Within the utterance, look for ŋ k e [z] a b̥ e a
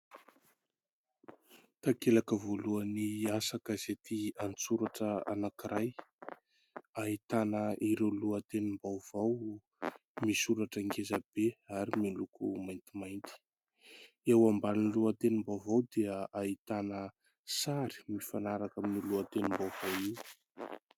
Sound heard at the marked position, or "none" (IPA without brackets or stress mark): z